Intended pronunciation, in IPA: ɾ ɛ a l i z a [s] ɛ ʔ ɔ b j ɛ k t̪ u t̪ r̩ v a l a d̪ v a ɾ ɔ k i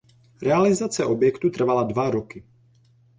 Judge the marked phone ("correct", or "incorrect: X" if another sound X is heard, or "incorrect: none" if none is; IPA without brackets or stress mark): incorrect: t͡s